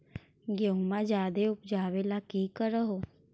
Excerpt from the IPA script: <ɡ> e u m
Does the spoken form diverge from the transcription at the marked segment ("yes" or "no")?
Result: no